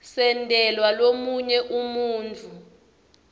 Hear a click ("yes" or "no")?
no